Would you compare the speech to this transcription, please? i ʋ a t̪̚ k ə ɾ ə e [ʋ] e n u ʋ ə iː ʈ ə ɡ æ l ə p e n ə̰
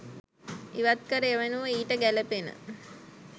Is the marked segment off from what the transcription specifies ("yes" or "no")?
no